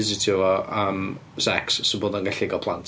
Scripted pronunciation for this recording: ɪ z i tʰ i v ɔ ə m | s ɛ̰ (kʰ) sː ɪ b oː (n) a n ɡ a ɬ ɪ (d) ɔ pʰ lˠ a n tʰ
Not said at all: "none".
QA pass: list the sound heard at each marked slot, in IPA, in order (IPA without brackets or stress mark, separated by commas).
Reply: k, d, ɡ